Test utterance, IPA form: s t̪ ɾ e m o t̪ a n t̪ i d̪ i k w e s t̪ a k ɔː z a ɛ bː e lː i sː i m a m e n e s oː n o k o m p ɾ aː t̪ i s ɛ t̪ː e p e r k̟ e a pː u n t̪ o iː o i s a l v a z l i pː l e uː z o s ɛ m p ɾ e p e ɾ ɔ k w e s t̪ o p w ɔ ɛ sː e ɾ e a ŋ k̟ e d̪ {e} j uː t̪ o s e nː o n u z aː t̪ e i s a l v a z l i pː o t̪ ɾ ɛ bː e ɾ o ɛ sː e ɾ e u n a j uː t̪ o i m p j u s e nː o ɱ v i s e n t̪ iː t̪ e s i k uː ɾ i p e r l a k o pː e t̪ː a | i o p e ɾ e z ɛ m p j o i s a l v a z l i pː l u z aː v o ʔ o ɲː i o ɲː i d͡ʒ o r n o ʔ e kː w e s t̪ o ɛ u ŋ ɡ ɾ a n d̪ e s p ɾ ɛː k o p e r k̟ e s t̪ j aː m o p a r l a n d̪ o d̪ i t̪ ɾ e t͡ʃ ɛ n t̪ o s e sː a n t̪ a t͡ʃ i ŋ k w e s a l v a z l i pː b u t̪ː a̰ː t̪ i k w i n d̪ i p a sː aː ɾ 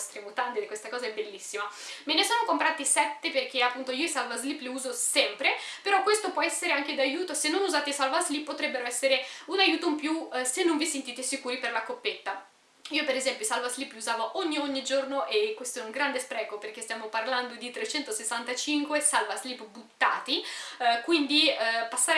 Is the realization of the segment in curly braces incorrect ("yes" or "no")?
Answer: yes